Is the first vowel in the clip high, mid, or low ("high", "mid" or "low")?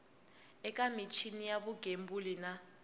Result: mid